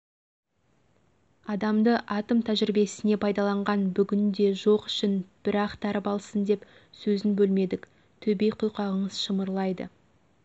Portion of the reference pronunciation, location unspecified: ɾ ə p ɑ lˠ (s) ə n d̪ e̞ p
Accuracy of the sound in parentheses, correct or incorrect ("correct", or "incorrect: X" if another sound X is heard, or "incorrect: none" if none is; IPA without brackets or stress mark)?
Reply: correct